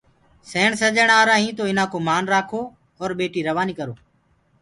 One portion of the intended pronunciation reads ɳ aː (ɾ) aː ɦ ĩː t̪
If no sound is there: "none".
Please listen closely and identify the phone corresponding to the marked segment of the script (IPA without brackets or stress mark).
ɾ